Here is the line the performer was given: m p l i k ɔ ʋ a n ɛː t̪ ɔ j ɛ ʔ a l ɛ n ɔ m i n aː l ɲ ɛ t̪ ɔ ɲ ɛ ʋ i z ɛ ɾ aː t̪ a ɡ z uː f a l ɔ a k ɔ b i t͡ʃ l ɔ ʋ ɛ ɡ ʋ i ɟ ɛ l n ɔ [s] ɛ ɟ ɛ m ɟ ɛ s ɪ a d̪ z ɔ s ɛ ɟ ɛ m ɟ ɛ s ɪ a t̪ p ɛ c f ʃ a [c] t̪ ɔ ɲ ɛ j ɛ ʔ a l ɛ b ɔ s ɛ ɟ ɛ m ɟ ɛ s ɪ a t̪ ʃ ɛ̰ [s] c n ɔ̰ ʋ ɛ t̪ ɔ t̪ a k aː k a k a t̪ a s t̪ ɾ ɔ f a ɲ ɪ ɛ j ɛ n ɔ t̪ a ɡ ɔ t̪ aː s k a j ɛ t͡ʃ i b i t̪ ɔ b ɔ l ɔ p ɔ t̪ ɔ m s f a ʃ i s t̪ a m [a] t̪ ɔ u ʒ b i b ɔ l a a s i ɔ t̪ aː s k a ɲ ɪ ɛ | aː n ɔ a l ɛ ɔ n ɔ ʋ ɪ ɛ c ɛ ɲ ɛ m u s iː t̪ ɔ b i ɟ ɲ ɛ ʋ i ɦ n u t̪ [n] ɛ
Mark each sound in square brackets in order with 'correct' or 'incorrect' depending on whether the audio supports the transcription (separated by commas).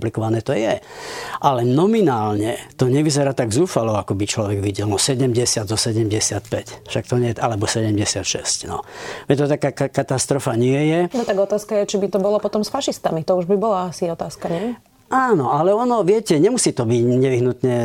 correct, incorrect, correct, incorrect, incorrect